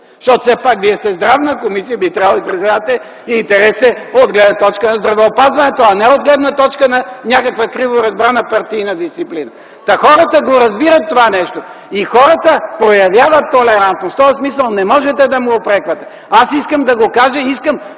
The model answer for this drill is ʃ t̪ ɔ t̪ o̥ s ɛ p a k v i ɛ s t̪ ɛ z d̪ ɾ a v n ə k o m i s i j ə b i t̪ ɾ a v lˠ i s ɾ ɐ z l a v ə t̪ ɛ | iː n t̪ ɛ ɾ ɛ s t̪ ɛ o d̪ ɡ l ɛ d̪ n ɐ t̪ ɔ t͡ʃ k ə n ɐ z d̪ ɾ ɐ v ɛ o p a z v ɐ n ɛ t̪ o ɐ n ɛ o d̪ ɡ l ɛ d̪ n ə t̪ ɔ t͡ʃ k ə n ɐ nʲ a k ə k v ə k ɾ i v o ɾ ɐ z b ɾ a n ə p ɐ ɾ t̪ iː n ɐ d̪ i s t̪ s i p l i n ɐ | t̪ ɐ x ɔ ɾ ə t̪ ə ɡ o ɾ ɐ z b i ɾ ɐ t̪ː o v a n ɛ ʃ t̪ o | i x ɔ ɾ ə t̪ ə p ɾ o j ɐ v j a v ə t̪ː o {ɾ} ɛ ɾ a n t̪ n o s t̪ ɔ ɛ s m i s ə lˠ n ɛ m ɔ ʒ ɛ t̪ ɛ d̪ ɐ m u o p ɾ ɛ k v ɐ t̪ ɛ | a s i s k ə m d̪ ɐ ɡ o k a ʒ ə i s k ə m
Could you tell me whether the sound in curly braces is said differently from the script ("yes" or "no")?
yes